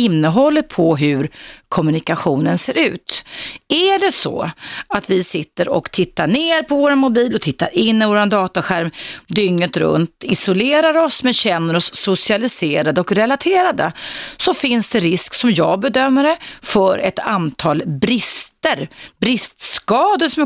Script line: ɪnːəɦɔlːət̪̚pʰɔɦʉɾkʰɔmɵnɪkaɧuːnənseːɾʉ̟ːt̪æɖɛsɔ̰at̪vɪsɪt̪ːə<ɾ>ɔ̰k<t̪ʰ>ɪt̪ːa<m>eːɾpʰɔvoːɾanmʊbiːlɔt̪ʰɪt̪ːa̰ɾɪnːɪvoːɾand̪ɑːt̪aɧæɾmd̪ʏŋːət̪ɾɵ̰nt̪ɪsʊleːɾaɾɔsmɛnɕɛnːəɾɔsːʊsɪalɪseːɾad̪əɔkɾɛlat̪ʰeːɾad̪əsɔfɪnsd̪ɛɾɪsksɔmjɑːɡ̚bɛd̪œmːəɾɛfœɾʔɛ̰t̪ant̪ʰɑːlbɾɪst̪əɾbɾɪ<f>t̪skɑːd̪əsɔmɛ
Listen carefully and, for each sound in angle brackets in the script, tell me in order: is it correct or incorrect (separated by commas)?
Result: correct, correct, incorrect, incorrect